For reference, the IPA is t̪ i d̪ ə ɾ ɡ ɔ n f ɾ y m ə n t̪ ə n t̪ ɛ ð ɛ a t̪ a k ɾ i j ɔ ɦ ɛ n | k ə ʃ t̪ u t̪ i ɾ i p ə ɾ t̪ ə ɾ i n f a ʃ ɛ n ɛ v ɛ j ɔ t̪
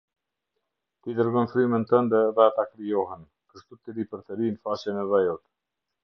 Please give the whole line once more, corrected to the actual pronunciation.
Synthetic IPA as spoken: t̪ i d̪ ə ɾ ɡ ɔ n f ɾ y m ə n t̪ ə n d̪ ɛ ð ɛ a t̪ a k ɾ i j ɔ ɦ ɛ n | k ə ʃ t̪ u t̪ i ɾ i p ə ɾ t̪ ə ɾ i n f a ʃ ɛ n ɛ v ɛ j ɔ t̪